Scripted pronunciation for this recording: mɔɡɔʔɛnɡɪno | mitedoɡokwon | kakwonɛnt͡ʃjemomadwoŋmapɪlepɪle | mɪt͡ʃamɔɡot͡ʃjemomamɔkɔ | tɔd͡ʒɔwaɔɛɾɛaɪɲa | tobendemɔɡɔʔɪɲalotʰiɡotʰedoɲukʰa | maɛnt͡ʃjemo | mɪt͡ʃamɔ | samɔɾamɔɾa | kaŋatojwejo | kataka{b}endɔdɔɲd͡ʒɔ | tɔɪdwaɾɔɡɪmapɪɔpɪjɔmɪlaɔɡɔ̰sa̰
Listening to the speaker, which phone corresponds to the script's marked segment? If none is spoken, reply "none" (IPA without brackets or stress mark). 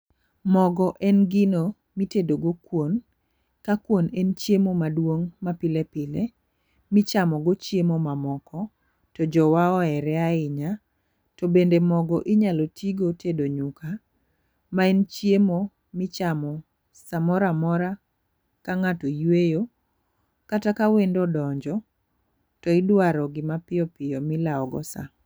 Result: w